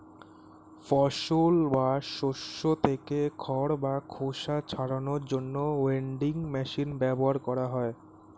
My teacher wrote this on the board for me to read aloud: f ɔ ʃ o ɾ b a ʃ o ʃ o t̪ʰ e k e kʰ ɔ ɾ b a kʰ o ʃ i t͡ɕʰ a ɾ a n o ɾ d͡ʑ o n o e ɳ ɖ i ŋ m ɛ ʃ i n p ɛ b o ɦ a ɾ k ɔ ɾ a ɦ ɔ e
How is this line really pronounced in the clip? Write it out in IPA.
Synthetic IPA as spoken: f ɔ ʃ o l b a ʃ o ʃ o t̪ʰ e k e kʰ ɔ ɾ b a kʰ o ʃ a t͡ɕʰ a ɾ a n o ɾ d͡ʑ o nː o e ɳ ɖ i ŋ m ɛ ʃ i n b ɛ b o ɦ a ɾ k ɔ ɾ a ɦ ɔ e